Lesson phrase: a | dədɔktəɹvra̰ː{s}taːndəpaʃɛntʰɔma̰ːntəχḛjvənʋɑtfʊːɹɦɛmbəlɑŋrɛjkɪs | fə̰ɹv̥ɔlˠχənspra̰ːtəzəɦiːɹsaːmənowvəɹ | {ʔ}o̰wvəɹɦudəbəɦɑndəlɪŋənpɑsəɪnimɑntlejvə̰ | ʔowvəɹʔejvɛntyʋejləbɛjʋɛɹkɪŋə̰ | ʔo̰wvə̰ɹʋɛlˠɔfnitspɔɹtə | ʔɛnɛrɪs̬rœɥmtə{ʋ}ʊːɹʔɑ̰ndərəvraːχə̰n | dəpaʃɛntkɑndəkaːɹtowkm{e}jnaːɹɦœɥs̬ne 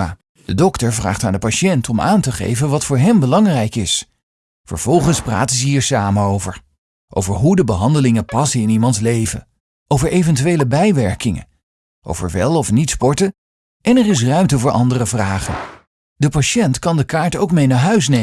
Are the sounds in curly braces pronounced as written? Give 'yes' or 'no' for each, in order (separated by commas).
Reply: no, yes, no, yes